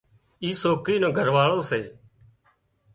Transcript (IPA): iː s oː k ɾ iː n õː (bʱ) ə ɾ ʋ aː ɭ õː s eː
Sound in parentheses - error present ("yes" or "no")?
yes